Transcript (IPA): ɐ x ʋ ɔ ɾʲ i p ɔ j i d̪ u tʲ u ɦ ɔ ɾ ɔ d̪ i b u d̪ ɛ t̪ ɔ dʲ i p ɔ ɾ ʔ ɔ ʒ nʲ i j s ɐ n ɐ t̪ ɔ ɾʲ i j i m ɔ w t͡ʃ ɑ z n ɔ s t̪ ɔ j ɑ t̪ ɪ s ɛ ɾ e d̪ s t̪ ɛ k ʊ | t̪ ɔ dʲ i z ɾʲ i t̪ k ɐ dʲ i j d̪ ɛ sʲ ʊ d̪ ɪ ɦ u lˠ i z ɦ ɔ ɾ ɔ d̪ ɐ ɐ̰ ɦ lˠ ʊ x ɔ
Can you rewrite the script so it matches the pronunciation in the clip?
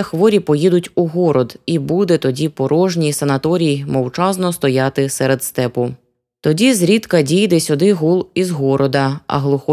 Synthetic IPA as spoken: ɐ x ʋ ɔ ɾʲ i p ɔ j i d̪ ʊ tʲ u ɦ ɔ ɾ ɔ d̪ i b u d̪ ɛ t̪ ɔ dʲ i p ɔ ɾ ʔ ɔ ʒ nʲ i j s ɐ n ɐ t̪ ɔ ɾʲ i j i m ɔ w t͡ʃ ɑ z n ɔ s t̪ ɔ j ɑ t̪ ɪ s ɛ ɾ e d̪ s t̪ ɛ p ʊ | t̪ ɔ dʲ i z ɾʲ i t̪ k ɐ dʲ i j d̪ ɛ sʲ ʊ d̪ ɪ ɦ u lˠ i z ɦ ɔ ɾ ɔ d̪ ɐ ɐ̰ ɦ lˠ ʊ x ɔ